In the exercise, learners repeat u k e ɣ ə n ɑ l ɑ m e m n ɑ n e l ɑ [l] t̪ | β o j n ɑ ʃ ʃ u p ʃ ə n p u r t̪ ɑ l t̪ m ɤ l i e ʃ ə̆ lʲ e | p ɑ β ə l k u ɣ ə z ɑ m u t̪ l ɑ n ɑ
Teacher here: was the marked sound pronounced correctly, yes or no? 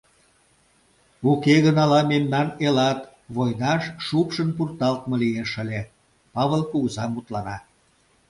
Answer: no